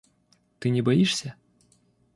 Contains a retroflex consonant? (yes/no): yes